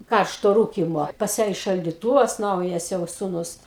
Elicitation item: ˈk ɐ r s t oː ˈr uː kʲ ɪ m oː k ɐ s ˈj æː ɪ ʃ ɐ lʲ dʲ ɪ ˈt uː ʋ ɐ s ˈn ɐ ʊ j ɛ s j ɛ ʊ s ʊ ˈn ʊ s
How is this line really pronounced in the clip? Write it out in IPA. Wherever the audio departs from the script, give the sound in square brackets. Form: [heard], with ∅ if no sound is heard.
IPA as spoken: ˈk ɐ r [ʃ] t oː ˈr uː kʲ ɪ m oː [p] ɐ s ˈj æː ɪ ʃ ɐ lʲ dʲ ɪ ˈt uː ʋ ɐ s ˈn ɐ ʊ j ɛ s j ɛ ʊ s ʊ ˈn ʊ s